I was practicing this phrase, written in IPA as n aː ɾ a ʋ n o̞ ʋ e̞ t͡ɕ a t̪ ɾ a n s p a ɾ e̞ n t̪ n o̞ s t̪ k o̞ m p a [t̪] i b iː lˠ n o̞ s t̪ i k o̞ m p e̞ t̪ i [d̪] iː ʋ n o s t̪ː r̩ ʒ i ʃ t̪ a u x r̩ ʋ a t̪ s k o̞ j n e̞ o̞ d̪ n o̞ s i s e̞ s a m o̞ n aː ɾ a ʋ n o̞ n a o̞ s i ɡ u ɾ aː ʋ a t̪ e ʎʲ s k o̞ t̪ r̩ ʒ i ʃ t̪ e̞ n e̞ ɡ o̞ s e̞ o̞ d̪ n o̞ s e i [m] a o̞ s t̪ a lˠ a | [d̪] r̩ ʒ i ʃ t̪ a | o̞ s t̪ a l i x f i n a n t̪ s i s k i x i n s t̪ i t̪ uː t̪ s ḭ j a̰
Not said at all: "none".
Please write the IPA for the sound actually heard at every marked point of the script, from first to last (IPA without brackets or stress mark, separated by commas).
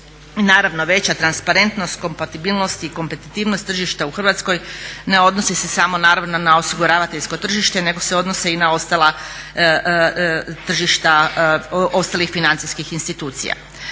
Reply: t̪, t̪, n, t̪